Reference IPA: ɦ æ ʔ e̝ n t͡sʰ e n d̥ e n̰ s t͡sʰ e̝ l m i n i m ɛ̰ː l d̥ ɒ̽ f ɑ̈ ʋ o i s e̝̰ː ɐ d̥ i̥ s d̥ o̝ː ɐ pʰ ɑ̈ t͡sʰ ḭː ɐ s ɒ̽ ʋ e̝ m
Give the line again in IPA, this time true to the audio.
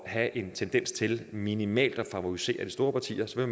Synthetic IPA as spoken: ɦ æ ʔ e̝ n t͡sʰ e n d̥ e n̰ s t͡sʰ e̝ l m i n i m ɛ̰ː l d̥ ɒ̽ f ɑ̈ ʋ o i s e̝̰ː ɐ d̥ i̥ s d̥ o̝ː ɐ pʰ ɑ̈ t͡sʰ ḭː ɐ s ɒ̽ ʋ e̝ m